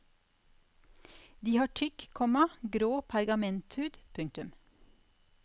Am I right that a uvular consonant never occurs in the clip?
yes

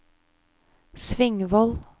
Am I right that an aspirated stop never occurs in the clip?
yes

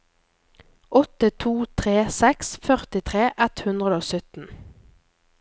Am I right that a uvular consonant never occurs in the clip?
no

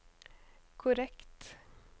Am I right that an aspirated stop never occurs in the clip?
no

